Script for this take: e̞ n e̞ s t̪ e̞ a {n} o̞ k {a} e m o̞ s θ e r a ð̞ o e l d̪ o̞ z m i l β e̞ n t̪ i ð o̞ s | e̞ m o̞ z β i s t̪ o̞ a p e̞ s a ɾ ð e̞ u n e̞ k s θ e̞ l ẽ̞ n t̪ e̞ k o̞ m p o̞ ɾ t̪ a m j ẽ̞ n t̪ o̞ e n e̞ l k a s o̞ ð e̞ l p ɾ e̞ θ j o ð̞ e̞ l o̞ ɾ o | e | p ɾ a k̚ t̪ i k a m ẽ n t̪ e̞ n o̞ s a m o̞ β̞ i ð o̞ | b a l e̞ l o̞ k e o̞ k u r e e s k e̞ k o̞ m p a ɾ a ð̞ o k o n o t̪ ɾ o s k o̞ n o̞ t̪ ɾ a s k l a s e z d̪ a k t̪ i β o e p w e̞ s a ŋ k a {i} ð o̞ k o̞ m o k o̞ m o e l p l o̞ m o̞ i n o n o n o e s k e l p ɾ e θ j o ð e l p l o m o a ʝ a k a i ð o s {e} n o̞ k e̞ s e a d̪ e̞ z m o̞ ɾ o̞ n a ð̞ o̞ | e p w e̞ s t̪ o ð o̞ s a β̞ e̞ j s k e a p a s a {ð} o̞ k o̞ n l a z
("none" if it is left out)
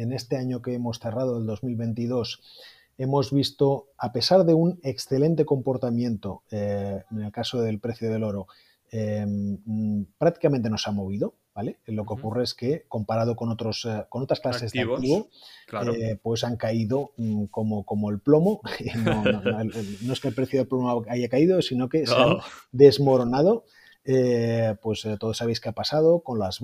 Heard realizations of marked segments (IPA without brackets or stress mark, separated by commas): ɲ, e, i, i, ð